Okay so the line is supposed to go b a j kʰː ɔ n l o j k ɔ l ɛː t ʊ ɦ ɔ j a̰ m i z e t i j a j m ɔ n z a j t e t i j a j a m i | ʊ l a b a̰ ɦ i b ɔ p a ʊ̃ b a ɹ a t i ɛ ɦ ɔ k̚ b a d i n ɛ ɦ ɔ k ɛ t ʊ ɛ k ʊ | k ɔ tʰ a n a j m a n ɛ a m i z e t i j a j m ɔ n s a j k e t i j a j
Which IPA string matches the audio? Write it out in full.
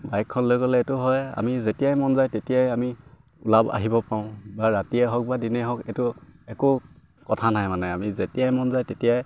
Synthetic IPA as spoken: b a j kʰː ɔ n l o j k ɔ l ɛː t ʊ ɦ ɔ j a̰ m i z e t i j a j m ɔ n z a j t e t i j a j a m i | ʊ l a b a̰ ɦ i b ɔ p a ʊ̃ b a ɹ a t i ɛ ɦ ɔ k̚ b a d i n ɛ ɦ ɔ k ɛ t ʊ ɛ k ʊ | k ɔ tʰ a n a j m a n ɛ a m i z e t i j a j m ɔ n z a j t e t i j a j